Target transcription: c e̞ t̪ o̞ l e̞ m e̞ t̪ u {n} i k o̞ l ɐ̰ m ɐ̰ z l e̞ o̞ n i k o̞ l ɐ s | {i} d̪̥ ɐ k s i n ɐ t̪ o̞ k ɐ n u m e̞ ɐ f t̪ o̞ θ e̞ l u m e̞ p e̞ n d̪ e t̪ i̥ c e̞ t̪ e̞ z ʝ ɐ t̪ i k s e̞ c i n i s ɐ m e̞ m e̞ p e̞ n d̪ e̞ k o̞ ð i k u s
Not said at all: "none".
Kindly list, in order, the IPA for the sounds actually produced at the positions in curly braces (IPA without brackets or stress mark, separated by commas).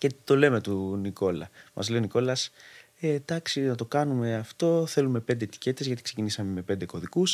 n, e